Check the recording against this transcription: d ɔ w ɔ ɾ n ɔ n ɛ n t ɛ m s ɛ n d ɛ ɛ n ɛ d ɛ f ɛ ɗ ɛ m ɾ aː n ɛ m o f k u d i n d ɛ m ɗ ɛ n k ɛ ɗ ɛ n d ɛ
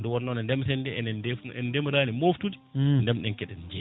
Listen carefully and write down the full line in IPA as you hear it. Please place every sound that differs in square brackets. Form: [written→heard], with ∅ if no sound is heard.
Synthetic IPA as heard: d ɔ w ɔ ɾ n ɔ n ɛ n [t→d] ɛ m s ɛ n d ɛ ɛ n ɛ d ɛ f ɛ [ɗ→d] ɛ m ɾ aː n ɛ m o f [k→t] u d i n d ɛ m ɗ ɛ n k ɛ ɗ ɛ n [d→d͡ʒ] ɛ